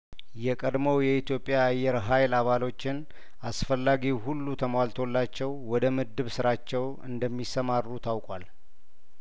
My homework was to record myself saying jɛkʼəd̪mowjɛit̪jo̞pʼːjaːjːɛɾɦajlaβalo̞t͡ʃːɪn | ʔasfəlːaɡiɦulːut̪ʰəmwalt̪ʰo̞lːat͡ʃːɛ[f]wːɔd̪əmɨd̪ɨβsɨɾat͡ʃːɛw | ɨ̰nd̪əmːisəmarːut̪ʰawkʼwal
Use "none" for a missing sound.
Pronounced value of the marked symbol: none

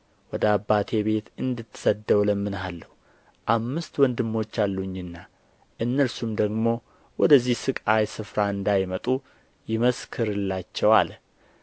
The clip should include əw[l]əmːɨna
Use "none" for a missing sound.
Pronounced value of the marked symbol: l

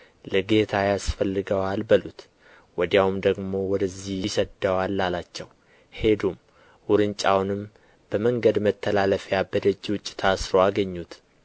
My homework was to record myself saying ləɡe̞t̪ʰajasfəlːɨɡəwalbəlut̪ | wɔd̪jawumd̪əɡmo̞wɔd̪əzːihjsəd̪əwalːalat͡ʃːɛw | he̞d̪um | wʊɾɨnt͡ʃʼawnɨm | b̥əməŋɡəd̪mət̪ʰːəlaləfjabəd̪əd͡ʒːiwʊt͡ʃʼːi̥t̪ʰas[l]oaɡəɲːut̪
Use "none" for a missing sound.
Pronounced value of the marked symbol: ɾ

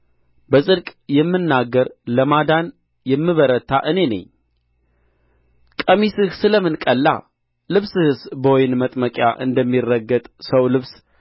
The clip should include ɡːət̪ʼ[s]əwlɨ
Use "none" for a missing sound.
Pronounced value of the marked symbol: s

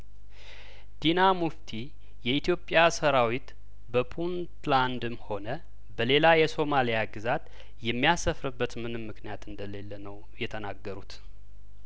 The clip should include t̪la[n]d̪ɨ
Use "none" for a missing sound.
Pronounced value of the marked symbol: n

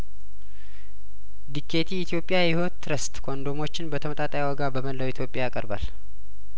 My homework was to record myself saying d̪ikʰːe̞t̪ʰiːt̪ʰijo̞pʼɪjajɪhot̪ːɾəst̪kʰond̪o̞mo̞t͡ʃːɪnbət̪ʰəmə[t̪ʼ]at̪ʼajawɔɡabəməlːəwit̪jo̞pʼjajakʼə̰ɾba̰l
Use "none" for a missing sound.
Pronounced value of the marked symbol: t̪ʼ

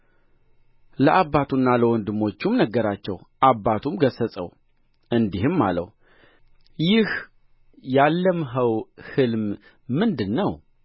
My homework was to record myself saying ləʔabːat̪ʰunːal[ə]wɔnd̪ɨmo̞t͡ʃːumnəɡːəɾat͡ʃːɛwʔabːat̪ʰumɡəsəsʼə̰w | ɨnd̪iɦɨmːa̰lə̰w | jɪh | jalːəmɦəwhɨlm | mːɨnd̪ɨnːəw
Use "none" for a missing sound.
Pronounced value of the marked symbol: ə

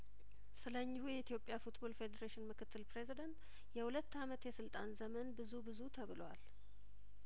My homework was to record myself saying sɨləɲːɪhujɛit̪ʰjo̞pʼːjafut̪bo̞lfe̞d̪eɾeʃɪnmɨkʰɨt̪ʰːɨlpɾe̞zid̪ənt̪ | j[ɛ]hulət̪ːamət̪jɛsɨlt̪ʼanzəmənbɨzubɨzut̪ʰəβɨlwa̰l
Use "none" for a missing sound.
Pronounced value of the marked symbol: ɛ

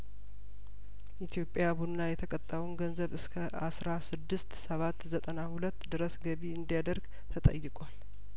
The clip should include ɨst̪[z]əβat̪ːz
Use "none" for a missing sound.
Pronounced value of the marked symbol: s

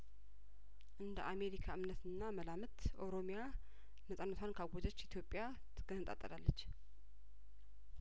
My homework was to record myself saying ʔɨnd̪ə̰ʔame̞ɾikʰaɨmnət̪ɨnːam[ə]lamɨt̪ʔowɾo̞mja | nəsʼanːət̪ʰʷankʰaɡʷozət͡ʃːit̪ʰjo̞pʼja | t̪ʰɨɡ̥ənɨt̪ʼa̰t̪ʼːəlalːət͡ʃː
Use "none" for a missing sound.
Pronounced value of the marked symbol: ə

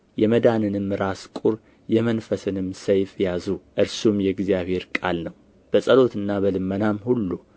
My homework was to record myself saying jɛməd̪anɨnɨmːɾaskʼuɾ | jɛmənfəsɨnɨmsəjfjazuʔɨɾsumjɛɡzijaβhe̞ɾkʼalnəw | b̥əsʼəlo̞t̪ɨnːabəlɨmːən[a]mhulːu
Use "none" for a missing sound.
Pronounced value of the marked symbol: a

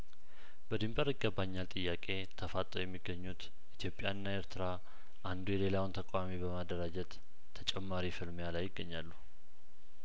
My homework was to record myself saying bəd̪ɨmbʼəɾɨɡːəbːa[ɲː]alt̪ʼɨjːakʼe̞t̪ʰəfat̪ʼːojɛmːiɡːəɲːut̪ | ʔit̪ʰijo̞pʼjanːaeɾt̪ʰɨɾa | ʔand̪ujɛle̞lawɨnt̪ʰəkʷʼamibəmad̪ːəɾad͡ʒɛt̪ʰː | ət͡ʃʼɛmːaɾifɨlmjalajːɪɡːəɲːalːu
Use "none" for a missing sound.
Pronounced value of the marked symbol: ɲː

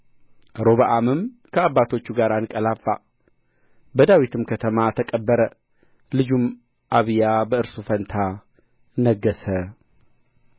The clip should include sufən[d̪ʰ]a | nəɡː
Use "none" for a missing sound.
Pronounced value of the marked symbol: t̪ʰ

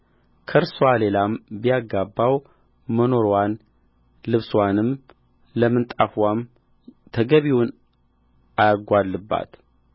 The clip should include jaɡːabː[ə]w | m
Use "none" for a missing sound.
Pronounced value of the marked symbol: a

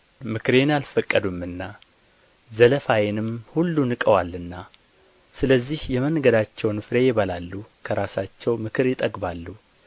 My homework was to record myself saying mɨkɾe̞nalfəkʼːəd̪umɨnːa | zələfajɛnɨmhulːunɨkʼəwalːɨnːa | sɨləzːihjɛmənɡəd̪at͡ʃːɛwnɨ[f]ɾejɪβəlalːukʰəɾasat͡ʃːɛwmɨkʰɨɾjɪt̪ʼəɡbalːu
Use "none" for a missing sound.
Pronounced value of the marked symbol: f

